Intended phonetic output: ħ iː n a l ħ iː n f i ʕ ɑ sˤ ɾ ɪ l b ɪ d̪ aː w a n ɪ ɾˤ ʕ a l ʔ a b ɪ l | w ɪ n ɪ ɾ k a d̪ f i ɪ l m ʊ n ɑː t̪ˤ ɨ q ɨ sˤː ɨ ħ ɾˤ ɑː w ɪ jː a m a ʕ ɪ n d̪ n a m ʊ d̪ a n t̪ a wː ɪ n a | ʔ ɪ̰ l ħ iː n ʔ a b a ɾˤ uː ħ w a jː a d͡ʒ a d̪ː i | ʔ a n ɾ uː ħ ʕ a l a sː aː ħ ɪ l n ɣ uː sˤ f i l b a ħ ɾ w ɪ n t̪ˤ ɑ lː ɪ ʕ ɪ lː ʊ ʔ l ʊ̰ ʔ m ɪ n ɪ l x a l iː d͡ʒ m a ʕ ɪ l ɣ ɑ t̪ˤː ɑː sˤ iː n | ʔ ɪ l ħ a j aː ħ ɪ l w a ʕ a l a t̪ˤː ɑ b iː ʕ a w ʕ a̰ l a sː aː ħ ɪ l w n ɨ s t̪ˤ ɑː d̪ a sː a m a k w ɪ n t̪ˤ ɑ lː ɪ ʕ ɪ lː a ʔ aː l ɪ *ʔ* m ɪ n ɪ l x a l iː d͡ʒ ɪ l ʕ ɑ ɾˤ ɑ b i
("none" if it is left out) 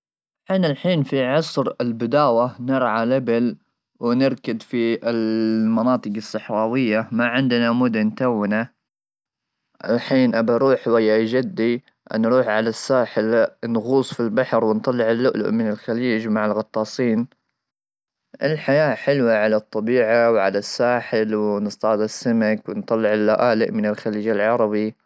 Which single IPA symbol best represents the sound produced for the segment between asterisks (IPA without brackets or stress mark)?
ʔ